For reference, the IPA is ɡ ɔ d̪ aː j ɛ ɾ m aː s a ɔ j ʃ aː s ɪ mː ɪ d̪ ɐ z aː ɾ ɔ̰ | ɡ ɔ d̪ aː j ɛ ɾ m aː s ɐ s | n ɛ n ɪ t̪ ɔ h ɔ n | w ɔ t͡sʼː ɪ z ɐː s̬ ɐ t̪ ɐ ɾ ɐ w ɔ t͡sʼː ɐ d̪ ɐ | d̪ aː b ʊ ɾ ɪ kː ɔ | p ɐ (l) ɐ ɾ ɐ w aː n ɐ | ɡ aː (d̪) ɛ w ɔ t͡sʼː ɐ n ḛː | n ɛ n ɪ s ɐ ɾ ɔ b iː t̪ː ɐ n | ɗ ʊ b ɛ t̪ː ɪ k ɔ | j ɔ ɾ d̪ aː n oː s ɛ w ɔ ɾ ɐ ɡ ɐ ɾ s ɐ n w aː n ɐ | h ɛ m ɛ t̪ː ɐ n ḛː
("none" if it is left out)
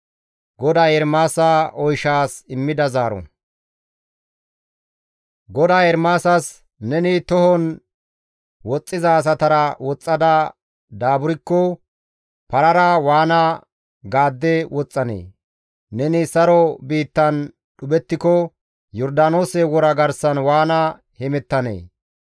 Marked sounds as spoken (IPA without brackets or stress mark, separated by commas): ɾ, d̪ː